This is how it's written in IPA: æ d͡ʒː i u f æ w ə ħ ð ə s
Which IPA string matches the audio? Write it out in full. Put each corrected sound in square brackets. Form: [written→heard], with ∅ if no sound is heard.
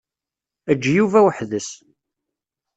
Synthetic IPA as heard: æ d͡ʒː [i→j] u [f→v] æ w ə ħ ð ə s